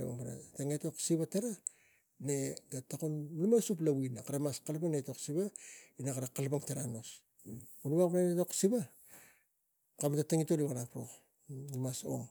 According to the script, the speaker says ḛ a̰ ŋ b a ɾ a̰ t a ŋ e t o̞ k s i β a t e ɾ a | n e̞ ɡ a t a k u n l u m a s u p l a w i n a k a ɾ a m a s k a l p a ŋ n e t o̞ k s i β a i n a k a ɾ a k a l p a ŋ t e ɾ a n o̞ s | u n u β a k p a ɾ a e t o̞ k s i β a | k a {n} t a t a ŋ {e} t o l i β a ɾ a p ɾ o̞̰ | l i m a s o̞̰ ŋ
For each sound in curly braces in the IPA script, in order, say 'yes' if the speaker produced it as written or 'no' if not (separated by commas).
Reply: no, no